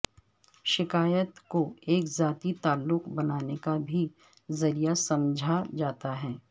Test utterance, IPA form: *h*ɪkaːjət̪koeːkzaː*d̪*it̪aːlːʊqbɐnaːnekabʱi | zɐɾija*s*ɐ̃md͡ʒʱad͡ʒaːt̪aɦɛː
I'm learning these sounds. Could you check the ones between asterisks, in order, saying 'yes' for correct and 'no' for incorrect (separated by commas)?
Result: no, no, yes